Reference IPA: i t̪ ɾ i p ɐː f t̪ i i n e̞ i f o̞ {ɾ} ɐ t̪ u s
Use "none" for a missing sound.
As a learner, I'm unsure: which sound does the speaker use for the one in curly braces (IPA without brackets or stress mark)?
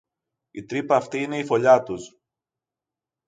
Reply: ʎ